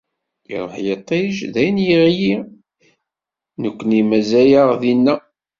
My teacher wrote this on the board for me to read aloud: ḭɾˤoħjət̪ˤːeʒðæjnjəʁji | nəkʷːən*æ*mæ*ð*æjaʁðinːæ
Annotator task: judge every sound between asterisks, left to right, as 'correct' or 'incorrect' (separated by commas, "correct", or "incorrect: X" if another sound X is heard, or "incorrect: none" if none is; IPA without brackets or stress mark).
incorrect: i, incorrect: z